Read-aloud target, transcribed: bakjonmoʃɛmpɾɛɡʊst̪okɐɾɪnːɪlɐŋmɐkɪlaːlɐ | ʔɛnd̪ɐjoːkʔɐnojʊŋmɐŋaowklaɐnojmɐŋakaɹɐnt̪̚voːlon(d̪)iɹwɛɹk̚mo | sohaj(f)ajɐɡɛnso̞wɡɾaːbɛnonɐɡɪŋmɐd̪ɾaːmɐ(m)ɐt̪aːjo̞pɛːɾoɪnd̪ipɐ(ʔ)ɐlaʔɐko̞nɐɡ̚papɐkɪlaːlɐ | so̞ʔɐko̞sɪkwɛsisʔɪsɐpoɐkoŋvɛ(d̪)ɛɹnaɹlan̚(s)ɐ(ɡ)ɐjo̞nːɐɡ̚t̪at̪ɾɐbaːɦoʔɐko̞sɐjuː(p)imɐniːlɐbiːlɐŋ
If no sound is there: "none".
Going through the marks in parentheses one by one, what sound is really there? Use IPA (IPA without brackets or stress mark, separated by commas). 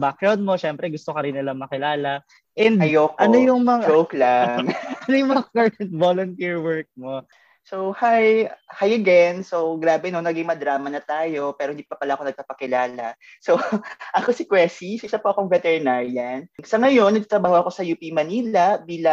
t̪, h, n, p, t̪, s, ŋ, p